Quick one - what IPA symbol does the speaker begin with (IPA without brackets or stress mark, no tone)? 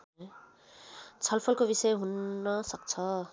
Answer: t͡sʰ